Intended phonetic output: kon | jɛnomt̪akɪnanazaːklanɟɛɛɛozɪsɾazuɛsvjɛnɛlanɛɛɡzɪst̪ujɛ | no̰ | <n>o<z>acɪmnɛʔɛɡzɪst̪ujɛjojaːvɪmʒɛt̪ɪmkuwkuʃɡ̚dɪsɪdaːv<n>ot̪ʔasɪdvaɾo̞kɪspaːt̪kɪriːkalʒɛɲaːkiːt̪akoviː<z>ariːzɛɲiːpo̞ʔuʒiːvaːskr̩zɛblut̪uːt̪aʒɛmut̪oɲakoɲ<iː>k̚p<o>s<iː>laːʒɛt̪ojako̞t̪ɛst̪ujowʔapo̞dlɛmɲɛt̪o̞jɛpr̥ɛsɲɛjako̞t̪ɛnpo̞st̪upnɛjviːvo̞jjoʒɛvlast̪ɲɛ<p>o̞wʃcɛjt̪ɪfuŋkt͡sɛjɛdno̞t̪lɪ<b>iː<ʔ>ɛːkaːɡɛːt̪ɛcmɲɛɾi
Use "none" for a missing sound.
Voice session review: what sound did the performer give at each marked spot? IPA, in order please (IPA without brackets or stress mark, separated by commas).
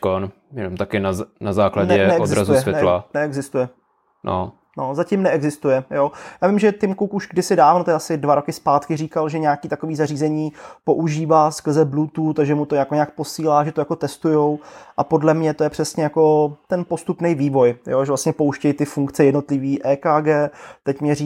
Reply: n, z, n, z, aː, o, iː, p, v, ʔ